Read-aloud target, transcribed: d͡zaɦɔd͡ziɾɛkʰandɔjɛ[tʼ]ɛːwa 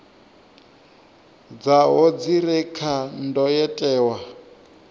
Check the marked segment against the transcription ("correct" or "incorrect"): correct